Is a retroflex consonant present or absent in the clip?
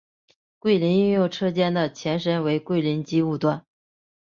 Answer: present